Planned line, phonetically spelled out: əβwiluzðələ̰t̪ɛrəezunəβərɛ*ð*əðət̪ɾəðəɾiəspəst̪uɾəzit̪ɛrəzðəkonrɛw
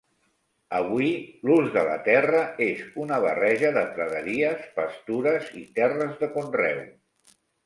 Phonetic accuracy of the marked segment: incorrect: ʒ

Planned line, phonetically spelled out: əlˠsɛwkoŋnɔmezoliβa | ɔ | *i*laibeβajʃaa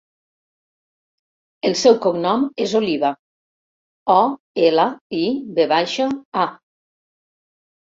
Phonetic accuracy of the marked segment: incorrect: e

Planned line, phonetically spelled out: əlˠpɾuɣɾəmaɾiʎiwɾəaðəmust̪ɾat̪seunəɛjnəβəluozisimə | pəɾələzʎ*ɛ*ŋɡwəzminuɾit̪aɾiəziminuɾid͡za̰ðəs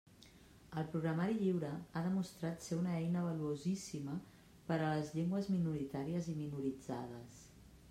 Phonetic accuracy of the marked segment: incorrect: e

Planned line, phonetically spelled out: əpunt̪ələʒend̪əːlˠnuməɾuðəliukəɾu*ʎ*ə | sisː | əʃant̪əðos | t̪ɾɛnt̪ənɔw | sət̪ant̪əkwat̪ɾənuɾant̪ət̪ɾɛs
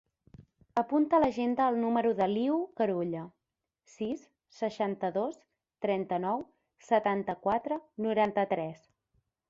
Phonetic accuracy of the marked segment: correct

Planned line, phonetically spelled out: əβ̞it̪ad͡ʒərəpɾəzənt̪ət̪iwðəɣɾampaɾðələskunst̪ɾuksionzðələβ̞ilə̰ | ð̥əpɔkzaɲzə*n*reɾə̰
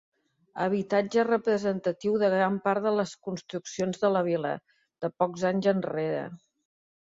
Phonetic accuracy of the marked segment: correct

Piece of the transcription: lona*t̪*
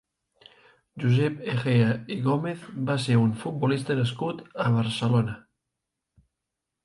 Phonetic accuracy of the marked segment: incorrect: none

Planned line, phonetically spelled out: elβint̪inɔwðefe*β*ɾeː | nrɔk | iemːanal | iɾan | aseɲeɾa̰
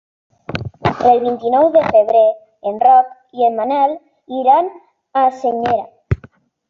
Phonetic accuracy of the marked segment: correct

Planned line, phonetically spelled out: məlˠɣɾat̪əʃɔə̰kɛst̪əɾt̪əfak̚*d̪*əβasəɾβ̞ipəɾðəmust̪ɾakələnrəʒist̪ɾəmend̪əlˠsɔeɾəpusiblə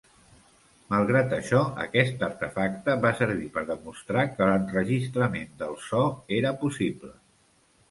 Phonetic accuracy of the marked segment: incorrect: t̪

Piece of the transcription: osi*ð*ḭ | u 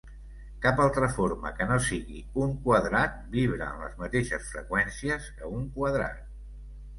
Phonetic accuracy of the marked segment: incorrect: ɣ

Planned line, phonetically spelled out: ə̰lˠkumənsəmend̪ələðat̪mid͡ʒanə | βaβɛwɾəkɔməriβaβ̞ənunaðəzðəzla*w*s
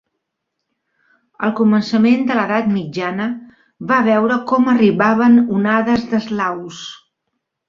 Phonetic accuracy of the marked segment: correct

